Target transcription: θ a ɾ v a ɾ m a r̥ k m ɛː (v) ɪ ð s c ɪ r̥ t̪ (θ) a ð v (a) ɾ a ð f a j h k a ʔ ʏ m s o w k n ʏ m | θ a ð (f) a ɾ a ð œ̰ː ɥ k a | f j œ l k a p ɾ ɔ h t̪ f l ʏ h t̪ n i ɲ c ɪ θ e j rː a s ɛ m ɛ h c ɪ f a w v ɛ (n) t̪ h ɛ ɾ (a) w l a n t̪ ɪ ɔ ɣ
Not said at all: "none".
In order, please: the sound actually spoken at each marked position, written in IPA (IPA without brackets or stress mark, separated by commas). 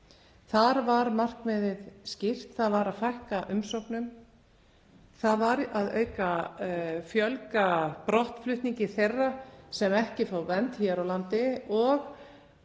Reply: ð, θ, a, v, n, a